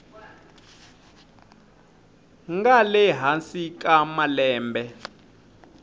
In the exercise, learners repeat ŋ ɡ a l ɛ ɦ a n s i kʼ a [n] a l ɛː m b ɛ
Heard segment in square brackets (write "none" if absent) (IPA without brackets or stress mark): m